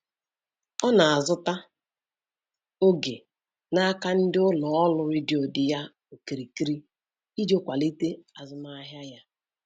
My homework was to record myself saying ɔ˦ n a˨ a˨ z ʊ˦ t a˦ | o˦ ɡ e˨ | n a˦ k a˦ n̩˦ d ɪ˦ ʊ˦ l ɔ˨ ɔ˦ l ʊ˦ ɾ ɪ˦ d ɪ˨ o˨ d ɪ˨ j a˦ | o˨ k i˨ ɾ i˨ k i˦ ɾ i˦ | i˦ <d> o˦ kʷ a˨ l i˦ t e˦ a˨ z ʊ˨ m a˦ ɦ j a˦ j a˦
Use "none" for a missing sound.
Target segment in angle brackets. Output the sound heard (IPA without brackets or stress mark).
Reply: d͡ʒ